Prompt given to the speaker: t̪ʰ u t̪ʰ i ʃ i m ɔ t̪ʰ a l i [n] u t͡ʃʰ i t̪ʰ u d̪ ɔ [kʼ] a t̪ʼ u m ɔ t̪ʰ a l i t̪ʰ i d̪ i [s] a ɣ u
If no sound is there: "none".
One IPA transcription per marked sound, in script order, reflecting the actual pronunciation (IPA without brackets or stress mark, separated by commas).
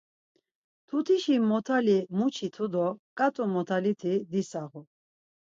m, kʼ, s